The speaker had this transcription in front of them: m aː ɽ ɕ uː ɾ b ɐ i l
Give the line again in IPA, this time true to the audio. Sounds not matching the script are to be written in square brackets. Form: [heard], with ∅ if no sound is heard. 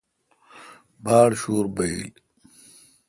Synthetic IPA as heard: [b] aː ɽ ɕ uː ɾ b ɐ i l